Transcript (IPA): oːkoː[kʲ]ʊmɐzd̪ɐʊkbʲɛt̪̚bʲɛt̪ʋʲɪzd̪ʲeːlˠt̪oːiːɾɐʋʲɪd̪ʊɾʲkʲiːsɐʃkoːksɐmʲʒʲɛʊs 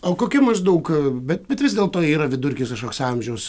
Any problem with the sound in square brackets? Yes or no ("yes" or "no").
no